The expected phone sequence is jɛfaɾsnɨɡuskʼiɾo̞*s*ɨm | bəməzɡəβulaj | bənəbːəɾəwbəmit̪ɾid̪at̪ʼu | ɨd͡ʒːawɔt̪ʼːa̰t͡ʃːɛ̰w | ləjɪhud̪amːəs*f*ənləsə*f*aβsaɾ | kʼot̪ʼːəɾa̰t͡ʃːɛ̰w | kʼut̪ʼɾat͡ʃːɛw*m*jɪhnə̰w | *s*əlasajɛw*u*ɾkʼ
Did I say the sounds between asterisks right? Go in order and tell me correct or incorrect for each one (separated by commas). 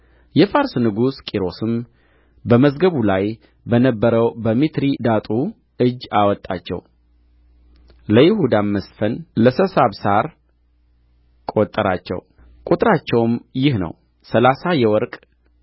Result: correct, correct, incorrect, correct, correct, incorrect